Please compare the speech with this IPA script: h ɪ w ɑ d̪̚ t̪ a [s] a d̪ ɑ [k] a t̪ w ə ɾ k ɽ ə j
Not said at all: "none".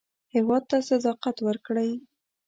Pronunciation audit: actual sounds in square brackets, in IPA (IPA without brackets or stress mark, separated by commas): s, q